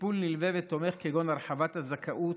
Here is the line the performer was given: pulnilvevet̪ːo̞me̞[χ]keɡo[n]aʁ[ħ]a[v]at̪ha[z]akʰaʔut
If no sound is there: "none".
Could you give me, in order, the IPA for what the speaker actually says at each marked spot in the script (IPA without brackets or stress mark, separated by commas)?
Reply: χ, n, ħ, v, z